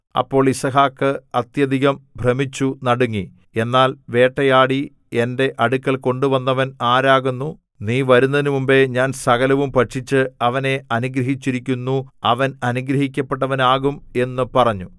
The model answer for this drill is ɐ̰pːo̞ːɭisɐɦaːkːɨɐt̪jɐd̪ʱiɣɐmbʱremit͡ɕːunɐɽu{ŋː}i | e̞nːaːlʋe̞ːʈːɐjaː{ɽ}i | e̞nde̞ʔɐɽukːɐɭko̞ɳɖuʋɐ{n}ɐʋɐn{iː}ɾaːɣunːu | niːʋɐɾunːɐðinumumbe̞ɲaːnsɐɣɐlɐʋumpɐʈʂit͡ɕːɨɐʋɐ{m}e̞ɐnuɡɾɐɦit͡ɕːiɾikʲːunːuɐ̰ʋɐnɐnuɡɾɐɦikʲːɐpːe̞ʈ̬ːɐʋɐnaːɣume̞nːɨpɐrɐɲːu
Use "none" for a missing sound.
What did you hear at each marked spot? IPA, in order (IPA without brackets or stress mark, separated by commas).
ŋː, ɽ, nː, aː, n